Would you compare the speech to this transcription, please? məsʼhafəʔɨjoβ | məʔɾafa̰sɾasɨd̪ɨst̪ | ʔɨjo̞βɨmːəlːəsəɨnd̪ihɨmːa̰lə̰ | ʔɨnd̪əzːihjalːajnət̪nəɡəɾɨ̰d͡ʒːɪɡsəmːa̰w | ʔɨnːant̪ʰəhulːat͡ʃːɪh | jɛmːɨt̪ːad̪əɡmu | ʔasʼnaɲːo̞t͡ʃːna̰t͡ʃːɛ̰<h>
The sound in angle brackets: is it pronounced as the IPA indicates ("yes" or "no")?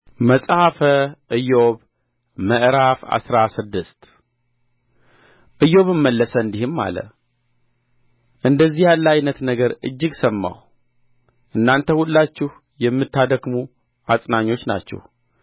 yes